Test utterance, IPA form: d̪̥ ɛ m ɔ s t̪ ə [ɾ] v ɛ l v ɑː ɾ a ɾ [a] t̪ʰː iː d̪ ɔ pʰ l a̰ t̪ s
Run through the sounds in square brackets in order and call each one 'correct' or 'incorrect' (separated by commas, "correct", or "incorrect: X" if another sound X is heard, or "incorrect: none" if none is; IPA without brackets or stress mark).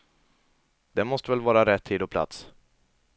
incorrect: none, incorrect: ɛ